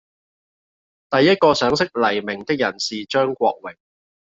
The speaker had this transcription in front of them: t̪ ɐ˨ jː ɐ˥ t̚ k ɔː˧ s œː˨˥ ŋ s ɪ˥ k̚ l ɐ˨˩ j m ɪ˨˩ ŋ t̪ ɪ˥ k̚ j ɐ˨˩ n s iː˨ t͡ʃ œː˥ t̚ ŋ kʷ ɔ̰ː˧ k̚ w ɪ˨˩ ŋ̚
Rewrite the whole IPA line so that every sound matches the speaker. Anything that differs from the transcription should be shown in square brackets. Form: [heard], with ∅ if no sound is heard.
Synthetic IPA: t̪ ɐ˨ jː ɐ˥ t̚ k ɔː˧ s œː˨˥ ŋ s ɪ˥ k̚ l ɐ˨˩ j m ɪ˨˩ ŋ t̪ ɪ˥ k̚ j ɐ˨˩ n s iː˨ t͡ʃ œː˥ [∅] ŋ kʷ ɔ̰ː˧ k̚ w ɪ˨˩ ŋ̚